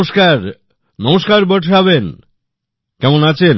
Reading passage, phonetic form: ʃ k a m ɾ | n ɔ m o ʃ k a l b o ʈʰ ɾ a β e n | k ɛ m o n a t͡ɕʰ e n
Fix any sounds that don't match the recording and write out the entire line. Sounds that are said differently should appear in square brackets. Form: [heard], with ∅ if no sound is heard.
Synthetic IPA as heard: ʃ k a [∅] ɾ | n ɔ m o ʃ k a [ɾ] b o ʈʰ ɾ a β e n | k ɛ m o n a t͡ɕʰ e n